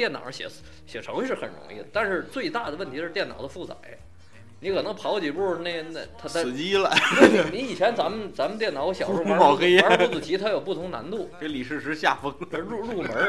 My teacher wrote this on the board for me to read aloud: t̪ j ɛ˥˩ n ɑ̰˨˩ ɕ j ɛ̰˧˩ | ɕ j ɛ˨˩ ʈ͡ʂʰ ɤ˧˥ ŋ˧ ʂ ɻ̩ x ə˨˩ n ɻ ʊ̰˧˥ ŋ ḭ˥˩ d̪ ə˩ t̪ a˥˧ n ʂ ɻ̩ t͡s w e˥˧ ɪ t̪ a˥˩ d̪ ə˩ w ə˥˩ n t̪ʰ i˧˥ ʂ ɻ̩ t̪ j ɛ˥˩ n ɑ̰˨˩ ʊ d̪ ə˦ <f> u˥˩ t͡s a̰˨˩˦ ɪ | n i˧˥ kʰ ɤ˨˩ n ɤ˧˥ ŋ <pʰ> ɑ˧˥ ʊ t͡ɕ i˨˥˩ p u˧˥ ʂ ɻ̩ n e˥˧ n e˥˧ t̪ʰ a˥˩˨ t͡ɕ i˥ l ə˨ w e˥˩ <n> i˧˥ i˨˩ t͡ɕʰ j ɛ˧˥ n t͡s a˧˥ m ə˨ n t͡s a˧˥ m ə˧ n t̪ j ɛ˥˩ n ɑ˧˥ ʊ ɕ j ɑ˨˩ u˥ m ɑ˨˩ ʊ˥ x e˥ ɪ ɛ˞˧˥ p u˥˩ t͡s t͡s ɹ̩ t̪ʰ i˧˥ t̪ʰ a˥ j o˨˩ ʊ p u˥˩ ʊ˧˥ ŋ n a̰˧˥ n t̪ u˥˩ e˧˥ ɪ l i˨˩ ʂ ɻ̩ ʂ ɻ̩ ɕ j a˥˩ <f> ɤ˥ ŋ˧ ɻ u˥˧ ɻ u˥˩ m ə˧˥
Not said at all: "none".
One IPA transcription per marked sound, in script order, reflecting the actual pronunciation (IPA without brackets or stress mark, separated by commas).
f, pʰ, n, f